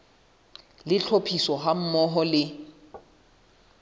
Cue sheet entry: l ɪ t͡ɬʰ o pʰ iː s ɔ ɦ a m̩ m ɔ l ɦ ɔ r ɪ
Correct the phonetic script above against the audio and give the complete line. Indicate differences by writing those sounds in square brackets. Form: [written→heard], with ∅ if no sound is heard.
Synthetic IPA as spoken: l ɪ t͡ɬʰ o pʰ [iː→i] s ɔ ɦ a m̩ m ɔ [l→∅] ɦ ɔ [r→l] ɪ